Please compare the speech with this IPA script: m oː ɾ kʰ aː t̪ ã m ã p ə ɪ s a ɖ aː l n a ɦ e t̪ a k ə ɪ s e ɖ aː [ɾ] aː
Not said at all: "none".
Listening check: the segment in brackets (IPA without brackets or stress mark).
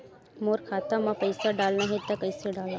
l